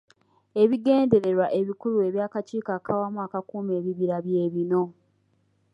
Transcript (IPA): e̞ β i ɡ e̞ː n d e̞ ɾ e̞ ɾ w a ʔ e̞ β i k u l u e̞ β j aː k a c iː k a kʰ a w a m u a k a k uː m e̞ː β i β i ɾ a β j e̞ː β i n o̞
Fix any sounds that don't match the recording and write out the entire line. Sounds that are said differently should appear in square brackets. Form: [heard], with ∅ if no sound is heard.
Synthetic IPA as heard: e̞ β i ɡ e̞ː n d e̞ ɾ e̞ ɾ w a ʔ e̞ β i k u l u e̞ β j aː k a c iː k a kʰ a w a m u a k a k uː m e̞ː β i β i ɾ a β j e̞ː β i n o̞